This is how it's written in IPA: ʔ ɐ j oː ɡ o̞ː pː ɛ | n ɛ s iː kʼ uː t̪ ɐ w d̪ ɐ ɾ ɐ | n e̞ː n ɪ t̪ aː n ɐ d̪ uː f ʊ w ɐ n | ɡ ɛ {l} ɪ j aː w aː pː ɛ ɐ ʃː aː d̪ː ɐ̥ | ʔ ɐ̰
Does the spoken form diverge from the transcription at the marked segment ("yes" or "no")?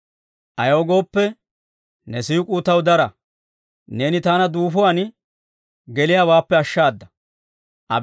no